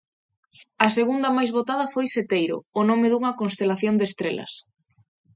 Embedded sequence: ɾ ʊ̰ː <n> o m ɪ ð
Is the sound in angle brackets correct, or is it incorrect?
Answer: correct